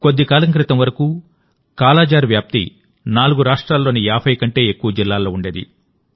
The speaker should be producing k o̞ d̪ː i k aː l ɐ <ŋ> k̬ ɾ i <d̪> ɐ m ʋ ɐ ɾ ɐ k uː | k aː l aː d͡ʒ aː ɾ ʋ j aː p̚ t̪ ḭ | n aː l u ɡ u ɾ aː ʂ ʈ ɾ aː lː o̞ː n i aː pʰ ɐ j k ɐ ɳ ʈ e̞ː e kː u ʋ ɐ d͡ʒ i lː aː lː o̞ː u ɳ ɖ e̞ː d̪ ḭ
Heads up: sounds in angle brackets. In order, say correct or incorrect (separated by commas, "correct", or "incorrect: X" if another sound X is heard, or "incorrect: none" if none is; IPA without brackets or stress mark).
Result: correct, incorrect: t̪